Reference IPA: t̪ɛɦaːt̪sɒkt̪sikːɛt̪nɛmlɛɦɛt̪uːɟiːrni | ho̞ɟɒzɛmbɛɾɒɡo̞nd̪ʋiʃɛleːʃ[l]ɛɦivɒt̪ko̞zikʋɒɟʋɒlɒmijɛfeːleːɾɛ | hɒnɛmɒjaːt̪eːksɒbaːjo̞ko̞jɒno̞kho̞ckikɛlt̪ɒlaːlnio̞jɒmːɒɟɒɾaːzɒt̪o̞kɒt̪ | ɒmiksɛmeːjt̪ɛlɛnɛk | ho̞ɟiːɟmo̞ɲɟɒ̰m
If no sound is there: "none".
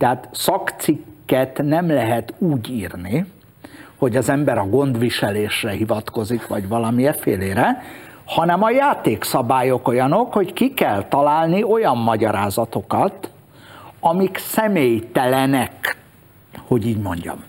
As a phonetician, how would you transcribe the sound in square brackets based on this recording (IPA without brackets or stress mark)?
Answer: r